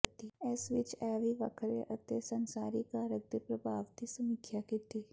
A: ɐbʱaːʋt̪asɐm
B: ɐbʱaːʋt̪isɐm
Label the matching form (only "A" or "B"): B